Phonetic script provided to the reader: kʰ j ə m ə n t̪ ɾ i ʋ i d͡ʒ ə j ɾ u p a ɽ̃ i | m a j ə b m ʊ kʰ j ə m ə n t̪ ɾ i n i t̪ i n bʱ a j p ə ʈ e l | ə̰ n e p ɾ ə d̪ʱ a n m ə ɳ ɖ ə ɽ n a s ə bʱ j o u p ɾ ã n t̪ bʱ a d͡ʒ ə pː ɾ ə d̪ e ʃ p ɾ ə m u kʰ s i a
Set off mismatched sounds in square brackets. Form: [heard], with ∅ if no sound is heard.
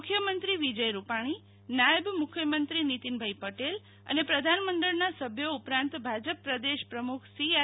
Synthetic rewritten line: kʰ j ə m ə n t̪ ɾ i ʋ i d͡ʒ ə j ɾ u p a ɽ̃ i | [n] a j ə b m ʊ kʰ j ə m ə n t̪ ɾ i n i t̪ i n bʱ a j p ə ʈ e l | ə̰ n e p ɾ ə d̪ʱ a n m ə ɳ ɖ ə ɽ n a s ə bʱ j o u p ɾ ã n t̪ bʱ a d͡ʒ ə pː ɾ ə d̪ e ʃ p ɾ ə m u kʰ s i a